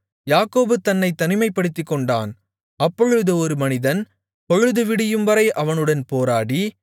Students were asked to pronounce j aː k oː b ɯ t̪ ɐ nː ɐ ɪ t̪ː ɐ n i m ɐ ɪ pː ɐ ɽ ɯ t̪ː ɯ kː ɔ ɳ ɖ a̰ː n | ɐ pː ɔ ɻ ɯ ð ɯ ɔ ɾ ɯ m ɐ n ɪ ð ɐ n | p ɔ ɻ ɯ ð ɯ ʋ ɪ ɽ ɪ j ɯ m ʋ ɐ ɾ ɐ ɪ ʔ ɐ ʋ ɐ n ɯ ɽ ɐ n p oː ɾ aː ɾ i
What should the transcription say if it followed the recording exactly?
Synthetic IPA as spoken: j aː k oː b ɯ t̪ ɐ nː ɐ ɪ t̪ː ɐ n ɪ m ɐ ɪ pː ɐ ɽ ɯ t̪ː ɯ kː ɔ ɳ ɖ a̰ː n | ɐ pː ɔ ɻ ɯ ð ɯ ɔ ɾ ɯ m ɐ n ɪ ð ɐ n | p ɔ ɻ ɯ ð ɯ ʋ ɪ ɽ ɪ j ɯ m ʋ ɐ ɾ ɐ ɪ ʔ ɐ ʋ ɐ n ɯ ɽ ɐ n p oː ɾ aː ɽ i